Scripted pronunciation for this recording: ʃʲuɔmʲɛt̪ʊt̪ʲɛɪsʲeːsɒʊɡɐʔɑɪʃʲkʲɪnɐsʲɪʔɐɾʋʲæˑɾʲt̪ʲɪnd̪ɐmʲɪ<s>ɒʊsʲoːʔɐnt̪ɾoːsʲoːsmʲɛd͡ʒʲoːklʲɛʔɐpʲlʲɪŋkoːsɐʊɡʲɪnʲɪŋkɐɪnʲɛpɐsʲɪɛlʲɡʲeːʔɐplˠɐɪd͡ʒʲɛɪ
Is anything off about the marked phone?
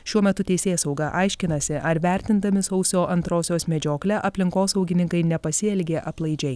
no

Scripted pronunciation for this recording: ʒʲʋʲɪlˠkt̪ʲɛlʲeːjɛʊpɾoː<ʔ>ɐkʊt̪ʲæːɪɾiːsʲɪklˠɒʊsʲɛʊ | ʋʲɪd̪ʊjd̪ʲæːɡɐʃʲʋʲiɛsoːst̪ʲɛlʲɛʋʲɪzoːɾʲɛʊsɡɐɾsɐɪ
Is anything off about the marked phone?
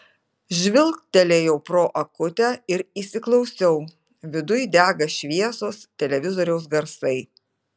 no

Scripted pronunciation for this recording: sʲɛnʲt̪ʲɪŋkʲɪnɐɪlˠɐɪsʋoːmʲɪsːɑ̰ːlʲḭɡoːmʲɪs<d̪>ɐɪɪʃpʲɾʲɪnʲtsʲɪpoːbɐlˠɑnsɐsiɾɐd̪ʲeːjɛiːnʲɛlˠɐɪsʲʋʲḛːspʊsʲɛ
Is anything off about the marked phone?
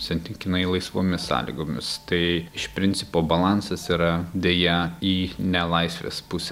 yes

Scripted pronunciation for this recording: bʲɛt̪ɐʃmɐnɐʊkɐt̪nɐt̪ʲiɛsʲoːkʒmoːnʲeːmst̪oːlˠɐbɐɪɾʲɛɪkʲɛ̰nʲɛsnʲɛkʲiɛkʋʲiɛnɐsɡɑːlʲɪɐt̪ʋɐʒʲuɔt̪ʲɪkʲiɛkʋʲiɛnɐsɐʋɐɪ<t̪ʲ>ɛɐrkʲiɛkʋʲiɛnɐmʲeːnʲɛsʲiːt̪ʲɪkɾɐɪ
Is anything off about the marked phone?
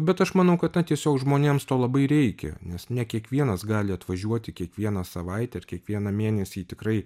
no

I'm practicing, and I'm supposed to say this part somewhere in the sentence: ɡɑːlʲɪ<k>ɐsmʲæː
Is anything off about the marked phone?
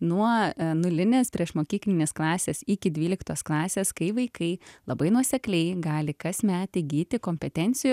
no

